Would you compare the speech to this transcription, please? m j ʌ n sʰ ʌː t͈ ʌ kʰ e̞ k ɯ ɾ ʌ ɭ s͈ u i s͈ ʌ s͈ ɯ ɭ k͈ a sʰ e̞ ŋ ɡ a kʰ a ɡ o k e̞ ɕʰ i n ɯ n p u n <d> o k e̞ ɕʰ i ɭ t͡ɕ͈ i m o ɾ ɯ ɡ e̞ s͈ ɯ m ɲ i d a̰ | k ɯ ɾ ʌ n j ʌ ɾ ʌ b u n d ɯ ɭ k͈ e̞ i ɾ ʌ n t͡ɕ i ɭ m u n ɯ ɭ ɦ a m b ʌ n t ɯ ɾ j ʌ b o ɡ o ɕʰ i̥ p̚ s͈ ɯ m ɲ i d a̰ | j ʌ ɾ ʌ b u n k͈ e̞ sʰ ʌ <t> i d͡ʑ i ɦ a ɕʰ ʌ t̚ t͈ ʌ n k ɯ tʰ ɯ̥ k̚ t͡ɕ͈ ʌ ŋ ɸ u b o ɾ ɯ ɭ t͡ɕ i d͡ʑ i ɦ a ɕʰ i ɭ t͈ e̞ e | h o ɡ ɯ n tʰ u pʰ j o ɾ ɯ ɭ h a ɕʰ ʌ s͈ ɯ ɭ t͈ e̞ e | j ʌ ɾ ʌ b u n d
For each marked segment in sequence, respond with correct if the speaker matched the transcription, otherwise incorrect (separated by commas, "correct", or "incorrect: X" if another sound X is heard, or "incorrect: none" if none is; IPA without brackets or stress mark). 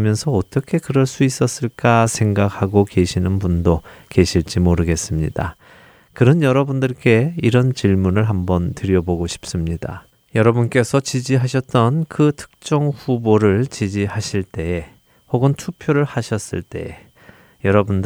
correct, incorrect: t͡ɕ